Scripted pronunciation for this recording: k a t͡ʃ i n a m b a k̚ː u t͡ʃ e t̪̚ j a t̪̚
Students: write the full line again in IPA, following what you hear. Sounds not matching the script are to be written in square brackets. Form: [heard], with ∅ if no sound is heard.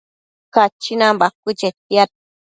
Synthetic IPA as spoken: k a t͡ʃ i n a m b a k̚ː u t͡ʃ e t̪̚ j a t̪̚

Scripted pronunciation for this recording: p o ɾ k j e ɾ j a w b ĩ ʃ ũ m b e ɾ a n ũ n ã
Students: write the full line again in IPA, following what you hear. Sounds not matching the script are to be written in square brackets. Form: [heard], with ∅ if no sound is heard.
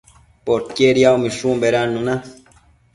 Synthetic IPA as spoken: p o ɾ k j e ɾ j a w [m] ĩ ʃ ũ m b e ɾ a n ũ n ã

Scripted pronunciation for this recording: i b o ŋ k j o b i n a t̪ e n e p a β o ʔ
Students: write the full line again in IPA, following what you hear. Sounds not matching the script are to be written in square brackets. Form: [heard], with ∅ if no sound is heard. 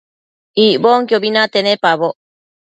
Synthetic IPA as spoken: i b o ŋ k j o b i n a t̪ e n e p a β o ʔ

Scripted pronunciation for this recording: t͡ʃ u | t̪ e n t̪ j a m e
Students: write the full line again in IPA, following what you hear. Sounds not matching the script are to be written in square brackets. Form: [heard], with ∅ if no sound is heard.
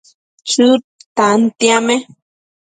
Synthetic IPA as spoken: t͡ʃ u | t̪ [a] n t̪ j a m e

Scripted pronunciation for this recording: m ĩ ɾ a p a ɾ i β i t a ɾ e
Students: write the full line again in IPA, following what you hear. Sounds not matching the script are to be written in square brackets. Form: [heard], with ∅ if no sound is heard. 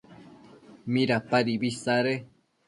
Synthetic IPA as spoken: m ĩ ɾ a p a ɾ i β i [s] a ɾ e

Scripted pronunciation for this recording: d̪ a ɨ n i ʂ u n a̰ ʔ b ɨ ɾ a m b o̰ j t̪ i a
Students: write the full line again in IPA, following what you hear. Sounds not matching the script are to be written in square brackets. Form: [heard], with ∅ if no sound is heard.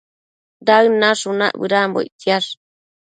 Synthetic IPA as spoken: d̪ a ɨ n [a] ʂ u n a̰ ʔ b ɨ ɾ a m b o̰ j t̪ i a

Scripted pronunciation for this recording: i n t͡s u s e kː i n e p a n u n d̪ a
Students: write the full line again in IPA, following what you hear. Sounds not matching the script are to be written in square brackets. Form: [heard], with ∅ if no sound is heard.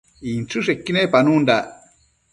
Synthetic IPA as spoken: i n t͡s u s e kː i n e p a n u n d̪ a

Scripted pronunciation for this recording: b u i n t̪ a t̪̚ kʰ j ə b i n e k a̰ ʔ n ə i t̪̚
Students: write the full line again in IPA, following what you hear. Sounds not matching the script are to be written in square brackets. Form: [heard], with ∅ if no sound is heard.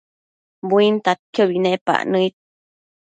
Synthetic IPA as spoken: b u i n t̪ a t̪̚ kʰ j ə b i n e [p] a̰ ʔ n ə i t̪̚

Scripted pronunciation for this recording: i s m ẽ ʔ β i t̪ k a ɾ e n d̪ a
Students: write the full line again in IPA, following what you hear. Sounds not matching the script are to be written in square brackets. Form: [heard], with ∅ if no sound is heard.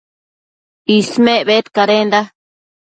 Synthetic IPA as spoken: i s m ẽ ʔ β [e] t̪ k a ɾ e n d̪ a

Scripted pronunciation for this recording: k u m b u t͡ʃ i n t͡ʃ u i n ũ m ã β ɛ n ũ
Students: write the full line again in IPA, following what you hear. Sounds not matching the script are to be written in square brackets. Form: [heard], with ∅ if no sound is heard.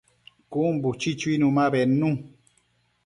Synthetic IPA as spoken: k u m b u t͡ʃ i [∅] t͡ʃ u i n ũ m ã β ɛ n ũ

